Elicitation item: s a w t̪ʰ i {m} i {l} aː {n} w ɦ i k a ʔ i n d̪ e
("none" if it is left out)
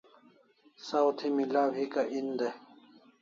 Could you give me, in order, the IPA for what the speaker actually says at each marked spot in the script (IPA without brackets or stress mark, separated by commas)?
m, l, none